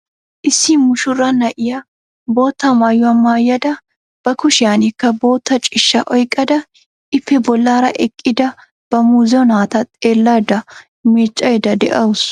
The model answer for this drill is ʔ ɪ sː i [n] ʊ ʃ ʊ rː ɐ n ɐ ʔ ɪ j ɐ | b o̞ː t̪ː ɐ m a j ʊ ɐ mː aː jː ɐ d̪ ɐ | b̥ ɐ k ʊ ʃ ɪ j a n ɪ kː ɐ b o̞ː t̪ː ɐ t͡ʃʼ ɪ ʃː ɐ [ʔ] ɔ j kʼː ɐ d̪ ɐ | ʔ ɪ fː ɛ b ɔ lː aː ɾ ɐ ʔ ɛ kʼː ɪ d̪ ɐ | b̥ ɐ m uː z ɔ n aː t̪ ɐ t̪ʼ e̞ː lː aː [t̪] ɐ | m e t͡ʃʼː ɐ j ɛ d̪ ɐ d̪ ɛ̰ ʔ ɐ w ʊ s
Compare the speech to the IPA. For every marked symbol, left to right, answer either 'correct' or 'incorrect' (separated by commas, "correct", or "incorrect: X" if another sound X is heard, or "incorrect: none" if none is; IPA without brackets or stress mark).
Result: incorrect: m, correct, incorrect: d̪